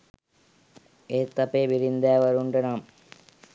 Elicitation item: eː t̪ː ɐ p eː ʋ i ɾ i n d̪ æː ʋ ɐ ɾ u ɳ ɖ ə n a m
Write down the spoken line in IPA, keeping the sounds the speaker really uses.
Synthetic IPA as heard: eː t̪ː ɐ p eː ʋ i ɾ i n d̪ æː ʋ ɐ ɾ u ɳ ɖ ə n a m